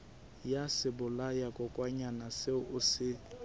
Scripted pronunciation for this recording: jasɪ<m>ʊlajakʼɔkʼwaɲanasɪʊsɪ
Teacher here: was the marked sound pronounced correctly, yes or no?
no